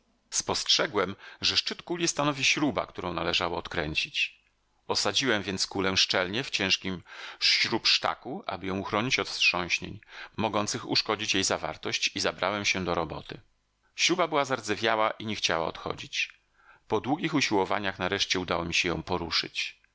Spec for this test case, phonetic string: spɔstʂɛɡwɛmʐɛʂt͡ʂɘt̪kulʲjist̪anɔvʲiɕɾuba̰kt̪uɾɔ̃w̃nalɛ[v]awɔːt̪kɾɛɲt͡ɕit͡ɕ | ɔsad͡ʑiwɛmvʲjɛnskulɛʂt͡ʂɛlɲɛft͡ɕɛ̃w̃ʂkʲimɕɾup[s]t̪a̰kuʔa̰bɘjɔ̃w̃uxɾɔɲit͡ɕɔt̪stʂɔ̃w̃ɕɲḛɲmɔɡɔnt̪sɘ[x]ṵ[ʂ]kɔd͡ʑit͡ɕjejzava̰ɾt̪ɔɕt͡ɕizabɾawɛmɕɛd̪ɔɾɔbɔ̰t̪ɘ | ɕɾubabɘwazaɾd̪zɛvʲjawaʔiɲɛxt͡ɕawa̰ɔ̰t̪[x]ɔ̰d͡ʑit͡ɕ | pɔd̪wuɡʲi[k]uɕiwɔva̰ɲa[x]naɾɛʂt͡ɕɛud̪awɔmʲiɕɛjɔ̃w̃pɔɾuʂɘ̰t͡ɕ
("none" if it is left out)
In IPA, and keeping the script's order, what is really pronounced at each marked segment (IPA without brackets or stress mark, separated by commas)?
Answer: ʐ, ʂ, x, ʂ, x, x, x